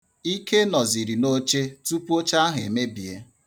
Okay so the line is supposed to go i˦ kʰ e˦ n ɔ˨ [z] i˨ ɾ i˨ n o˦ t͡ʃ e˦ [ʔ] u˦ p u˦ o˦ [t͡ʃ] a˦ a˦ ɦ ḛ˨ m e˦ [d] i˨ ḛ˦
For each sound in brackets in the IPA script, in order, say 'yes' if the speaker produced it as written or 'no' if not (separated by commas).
yes, no, yes, no